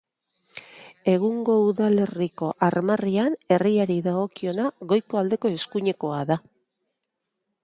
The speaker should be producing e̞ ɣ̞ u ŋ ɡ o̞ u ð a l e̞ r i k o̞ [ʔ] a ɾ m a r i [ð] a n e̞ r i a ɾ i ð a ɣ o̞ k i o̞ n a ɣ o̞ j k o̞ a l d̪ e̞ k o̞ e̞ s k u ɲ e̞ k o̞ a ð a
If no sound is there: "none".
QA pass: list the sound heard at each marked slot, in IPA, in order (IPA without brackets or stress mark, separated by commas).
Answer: ʔ, none